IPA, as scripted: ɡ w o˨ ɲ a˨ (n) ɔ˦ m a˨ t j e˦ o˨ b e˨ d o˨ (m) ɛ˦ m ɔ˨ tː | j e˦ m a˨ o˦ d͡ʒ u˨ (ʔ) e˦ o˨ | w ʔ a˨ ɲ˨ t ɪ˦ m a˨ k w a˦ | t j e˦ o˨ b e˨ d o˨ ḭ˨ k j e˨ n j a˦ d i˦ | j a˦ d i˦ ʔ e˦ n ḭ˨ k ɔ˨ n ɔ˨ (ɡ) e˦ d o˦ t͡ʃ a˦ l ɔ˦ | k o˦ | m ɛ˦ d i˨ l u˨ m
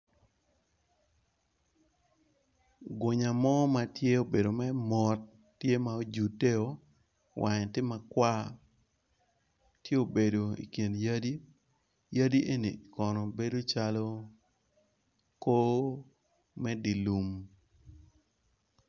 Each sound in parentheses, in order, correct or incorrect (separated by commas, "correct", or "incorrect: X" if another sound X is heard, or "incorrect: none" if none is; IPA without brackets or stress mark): incorrect: m, correct, incorrect: t, incorrect: b